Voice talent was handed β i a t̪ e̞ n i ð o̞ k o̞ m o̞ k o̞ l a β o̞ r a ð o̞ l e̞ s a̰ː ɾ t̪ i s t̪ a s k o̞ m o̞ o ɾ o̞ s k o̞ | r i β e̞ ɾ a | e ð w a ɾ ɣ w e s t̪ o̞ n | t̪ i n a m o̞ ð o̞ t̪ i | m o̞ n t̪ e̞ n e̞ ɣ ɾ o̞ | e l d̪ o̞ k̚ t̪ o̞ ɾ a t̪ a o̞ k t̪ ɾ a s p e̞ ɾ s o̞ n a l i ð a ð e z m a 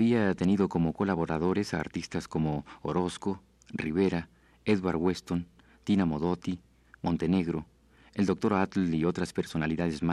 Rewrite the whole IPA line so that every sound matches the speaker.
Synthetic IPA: β i a t̪ e̞ n i ð o̞ k o̞ m o̞ k o̞ l a β o̞ ɾ a ð o̞ ɾ e̞ s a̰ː ɾ t̪ i s t̪ a s k o̞ m o̞ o ɾ o̞ s k o̞ | r i β e̞ ɾ a | e ð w a ɾ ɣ w e s t̪ o̞ n | t̪ i n a m o̞ ð o̞ t̪ i | m o̞ n t̪ e̞ n e̞ ɣ ɾ o̞ | e l d̪ o̞ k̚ t̪ o̞ ɾ a t̪ i o̞ t̪ ɾ a s p e̞ ɾ s o̞ n a l i ð a ð e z m a